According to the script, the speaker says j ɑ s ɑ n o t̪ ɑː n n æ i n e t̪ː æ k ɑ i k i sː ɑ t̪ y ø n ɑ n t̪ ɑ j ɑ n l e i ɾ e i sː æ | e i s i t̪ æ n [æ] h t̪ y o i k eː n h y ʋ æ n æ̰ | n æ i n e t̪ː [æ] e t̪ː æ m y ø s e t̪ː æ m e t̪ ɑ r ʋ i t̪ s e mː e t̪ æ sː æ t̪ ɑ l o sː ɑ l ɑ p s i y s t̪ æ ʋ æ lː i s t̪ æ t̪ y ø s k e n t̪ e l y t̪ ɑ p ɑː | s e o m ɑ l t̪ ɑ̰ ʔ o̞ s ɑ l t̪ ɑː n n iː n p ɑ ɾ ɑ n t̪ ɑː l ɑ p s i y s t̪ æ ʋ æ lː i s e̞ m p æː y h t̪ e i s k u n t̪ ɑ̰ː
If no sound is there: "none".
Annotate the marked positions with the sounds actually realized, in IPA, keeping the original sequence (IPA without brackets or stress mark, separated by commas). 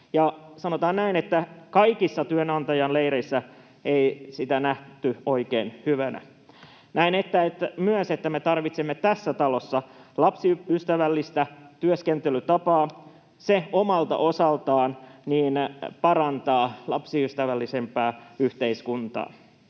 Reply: æ, æ